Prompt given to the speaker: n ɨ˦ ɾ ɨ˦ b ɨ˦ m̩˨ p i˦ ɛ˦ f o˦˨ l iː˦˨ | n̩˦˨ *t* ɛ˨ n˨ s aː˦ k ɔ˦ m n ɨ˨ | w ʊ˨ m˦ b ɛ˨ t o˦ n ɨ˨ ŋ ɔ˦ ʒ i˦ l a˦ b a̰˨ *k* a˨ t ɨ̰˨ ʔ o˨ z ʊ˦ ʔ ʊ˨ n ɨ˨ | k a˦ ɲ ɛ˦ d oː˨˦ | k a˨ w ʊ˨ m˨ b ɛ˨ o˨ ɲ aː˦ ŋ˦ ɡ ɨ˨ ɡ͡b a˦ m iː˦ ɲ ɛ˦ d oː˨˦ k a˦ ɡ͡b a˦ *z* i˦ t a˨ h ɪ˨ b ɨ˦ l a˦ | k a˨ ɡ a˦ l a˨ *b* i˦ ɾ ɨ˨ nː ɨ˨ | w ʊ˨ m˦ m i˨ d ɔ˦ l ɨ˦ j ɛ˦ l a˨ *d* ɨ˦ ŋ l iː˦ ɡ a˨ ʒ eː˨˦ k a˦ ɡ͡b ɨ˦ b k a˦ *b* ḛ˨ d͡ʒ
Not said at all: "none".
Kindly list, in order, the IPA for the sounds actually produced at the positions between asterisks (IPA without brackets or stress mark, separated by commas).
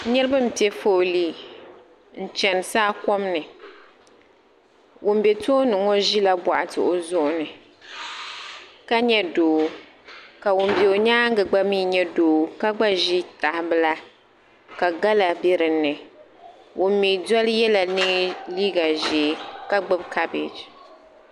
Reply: t͡ʃ, ʔ, ʒ, b, n, b